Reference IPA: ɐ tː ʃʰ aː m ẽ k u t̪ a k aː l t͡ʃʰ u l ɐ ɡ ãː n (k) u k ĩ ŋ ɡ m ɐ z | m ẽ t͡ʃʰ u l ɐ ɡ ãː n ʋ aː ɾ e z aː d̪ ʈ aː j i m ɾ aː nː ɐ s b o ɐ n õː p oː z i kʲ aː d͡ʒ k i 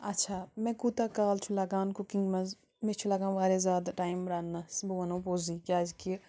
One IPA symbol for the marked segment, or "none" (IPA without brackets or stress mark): k